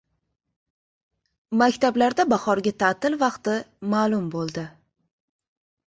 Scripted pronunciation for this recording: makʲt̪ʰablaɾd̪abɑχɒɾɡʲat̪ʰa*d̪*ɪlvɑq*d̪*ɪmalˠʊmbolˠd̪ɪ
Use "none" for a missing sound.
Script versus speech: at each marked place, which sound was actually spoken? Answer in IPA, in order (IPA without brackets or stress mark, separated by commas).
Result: t̪, t̪